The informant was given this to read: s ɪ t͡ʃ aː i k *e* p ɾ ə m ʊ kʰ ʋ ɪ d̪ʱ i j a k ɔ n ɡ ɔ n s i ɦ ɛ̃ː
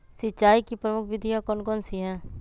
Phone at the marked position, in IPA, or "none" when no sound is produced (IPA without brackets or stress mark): i